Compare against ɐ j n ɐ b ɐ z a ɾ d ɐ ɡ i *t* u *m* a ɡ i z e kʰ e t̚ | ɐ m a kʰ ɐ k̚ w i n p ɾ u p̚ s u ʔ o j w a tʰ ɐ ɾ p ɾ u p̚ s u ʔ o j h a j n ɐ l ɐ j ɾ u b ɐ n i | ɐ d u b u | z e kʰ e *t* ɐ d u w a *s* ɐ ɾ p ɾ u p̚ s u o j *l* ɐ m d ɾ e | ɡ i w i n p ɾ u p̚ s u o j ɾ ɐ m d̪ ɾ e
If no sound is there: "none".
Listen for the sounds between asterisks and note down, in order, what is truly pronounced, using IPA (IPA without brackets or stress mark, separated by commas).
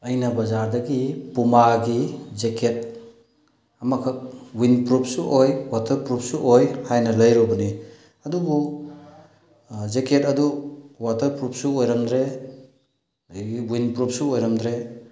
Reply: p, m, t, t, ɾ